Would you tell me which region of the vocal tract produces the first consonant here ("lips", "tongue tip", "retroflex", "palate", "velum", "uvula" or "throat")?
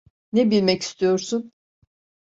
tongue tip